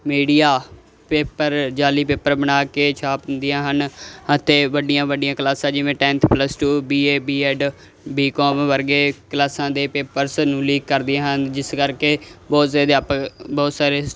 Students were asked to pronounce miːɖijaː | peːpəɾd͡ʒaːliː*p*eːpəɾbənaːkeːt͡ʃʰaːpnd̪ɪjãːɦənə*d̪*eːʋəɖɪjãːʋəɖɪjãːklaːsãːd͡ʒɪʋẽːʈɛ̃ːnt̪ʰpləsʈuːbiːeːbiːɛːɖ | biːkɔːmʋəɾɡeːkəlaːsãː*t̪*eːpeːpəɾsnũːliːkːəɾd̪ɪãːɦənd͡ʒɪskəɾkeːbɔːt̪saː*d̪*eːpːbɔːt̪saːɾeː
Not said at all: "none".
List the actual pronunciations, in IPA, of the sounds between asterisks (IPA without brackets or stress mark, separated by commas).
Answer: p, t̪, d̪, d̪